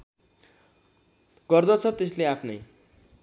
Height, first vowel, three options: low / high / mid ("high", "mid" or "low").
mid